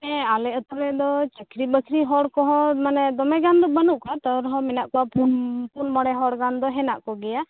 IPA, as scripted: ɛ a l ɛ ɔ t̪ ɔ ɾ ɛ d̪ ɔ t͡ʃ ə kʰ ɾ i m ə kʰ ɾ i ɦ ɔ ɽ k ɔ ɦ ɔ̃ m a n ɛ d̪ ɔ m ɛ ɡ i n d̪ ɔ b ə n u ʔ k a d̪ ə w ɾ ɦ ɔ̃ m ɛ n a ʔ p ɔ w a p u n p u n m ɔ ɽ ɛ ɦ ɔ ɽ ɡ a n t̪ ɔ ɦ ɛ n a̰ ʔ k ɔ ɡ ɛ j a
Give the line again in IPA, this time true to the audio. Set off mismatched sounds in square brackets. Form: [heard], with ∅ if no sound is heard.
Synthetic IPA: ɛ a l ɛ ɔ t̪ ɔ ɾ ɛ d̪ ɔ t͡ʃ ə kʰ ɾ i [b] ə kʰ ɾ i ɦ ɔ ɽ k ɔ ɦ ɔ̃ m a n ɛ d̪ ɔ m ɛ ɡ [a] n d̪ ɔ b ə n u ʔ k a [t̪] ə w ɾ ɦ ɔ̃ m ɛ n a ʔ [k] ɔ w a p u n p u n m ɔ ɽ ɛ ɦ ɔ ɽ ɡ a n [d̪] ɔ ɦ ɛ n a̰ ʔ k ɔ ɡ ɛ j a